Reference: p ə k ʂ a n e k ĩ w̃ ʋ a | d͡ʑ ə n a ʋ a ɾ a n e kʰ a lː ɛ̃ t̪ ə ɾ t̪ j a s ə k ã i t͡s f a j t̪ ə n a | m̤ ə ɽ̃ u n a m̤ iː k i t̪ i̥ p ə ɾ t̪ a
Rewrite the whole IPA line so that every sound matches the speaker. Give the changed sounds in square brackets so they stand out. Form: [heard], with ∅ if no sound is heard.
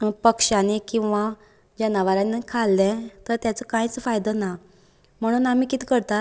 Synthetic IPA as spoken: p ə k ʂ a n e k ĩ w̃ ʋ a | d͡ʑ ə n a ʋ a ɾ a n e kʰ a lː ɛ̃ t̪ ə ɾ t̪ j a [t͡s] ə k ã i t͡s f a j [d̪] ə n a | m̤ ə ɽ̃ [uː] n a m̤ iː k i t̪ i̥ [k] ə ɾ t̪ a